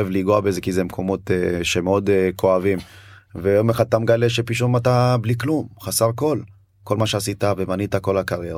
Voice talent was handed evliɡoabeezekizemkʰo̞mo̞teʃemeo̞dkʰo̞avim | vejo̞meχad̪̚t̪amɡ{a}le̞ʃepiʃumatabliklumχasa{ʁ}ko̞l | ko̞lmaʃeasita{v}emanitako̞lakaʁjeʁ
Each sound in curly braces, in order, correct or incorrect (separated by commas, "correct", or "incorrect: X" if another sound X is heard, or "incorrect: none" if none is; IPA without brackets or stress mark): correct, correct, correct